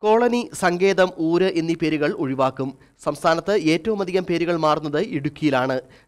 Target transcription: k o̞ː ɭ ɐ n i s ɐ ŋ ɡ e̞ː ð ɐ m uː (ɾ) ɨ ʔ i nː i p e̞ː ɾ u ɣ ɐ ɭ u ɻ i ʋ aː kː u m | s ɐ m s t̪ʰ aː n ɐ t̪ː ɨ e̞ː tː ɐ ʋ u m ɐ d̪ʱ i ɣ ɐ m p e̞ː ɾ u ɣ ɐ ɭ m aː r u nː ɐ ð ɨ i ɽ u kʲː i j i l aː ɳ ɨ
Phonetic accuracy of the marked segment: correct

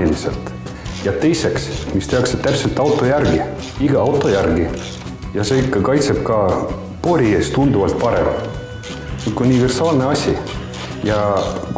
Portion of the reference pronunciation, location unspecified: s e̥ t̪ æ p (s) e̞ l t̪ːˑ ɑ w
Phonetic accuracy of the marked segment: correct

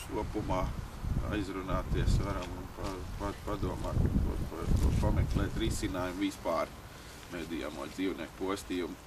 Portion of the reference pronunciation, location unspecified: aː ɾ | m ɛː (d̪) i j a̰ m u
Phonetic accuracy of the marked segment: correct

